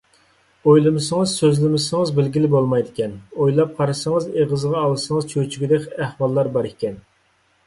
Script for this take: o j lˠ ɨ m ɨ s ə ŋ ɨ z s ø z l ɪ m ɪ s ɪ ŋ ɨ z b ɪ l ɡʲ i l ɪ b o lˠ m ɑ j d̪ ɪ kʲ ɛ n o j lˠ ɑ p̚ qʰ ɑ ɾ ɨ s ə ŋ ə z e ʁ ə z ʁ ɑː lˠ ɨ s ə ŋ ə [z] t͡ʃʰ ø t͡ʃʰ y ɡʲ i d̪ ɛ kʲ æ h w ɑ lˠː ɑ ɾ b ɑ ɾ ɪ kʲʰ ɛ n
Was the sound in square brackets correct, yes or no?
yes